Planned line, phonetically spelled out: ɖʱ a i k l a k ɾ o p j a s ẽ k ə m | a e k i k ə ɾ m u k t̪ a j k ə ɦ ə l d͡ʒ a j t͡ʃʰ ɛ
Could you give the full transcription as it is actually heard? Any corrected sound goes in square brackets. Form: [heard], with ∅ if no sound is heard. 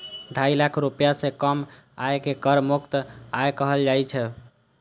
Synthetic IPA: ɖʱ a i [∅] l a [kʰ] ɾ [u] p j a s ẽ k ə m | a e k [e] k ə ɾ m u k t̪ a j k ə ɦ ə l d͡ʒ a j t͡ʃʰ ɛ